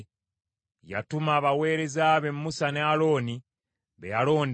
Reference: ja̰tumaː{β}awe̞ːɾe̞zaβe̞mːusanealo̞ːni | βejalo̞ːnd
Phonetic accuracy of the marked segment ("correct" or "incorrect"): correct